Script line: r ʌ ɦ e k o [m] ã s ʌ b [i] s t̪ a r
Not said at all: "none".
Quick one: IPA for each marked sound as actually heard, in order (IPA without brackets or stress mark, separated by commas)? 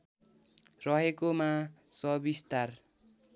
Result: m, i